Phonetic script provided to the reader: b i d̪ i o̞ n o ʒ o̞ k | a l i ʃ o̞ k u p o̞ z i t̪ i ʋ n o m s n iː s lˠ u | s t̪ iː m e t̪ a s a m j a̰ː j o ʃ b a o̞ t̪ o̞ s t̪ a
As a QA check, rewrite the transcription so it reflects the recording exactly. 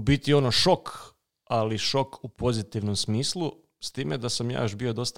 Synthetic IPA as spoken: b i t̪ i o̞ n o ʃ o̞ k | a l i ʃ o̞ k u p o̞ z i t̪ i ʋ n o m s m iː s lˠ u | s t̪ iː m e d̪ a s a m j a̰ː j o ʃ b i o̞ d̪ o̞ s t̪ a